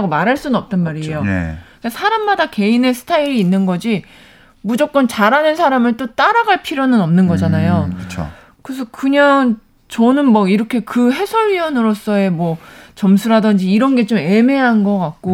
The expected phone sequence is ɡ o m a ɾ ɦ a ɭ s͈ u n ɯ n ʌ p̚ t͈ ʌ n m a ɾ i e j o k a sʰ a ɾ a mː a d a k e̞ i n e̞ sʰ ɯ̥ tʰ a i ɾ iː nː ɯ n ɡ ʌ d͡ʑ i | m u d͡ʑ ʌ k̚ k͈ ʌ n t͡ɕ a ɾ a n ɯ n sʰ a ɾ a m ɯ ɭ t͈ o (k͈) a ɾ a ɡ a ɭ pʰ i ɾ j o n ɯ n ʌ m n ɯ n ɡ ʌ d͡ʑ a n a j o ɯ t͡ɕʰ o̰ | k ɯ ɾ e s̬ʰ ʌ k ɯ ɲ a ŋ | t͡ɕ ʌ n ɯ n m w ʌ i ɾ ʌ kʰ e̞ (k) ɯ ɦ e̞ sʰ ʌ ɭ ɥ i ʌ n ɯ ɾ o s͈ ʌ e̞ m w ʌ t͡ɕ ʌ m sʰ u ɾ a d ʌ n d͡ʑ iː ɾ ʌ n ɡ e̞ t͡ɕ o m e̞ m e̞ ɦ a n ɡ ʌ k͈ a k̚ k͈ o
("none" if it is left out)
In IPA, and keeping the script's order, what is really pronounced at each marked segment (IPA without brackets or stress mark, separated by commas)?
t͈, k